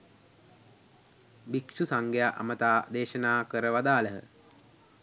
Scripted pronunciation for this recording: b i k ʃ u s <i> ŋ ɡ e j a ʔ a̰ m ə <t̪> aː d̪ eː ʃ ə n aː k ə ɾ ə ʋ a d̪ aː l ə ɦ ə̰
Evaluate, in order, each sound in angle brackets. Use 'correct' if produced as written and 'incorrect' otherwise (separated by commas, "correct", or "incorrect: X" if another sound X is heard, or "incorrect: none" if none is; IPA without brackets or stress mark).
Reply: incorrect: a, correct